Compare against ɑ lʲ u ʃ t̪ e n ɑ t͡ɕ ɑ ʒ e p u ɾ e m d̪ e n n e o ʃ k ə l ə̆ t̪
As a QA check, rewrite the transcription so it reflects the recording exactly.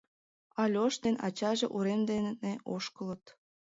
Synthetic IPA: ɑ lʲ o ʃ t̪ e n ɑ t͡ɕ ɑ ʒ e ʔ u ɾ e m d̪ e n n e o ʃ k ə l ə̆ t̪